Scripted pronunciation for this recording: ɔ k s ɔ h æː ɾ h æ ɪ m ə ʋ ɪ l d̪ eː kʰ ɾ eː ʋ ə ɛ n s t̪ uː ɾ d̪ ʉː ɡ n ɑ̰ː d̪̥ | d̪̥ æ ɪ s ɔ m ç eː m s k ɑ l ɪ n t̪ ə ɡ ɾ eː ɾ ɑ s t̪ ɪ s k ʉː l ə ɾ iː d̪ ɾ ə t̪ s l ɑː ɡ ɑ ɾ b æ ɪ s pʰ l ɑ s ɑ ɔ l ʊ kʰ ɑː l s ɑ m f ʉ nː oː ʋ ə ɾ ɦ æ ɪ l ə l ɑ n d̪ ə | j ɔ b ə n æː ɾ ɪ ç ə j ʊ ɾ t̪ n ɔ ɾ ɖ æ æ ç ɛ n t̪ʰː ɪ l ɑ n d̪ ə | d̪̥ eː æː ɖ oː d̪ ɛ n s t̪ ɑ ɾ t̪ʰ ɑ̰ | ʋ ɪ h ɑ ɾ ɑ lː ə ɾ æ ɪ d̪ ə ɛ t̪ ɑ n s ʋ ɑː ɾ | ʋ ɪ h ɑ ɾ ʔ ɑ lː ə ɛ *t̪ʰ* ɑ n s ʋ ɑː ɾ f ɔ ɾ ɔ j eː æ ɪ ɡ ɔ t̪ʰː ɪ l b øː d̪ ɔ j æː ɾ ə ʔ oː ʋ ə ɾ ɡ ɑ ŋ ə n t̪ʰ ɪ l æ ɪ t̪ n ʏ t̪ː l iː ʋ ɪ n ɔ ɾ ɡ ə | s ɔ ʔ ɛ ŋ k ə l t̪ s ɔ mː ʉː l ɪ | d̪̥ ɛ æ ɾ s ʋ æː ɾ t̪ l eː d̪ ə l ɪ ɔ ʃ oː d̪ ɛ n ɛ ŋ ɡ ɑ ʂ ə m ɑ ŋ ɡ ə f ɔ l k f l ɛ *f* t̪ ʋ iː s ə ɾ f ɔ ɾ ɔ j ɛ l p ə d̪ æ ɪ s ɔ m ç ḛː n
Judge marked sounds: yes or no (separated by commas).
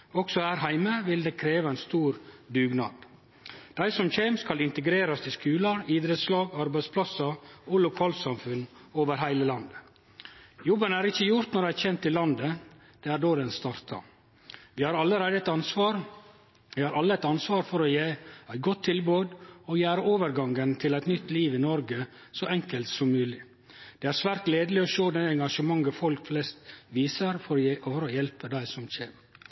no, no